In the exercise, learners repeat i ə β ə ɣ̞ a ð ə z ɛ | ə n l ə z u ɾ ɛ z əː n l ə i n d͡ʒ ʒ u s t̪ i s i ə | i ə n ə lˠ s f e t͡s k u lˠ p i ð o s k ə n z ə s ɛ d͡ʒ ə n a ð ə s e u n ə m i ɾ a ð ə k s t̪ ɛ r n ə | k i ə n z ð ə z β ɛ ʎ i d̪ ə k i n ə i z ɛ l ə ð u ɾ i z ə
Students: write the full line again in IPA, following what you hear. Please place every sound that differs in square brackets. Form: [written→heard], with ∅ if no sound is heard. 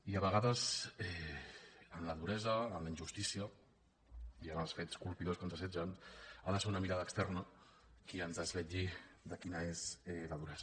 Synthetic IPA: i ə β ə ɣ̞ a ð ə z ɛ | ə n l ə [z→ð] u ɾ ɛ z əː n l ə i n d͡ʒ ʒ u s t̪ i s i ə | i ə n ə lˠ s f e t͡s k u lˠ p i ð o s k ə n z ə s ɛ d͡ʒ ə n a ð ə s e u n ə m i ɾ a ð ə k s t̪ ɛ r n ə | k i ə n z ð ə z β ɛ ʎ i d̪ ə k i n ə [i→e] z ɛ l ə ð u ɾ [i→ɛ] z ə